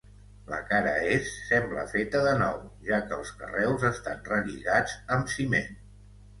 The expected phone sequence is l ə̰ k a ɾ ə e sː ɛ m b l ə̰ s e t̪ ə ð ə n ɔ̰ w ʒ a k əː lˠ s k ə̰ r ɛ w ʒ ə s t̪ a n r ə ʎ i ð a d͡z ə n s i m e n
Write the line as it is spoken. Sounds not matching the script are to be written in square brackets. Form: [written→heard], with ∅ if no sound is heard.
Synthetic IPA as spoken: l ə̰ k a ɾ ə e sː ɛ m b l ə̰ [s→f] e t̪ ə ð ə n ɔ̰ w ʒ a k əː lˠ s k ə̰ r ɛ w [ʒ→z] ə s t̪ a n r ə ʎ i [ð→ɣ] a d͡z ə [n→m] s i m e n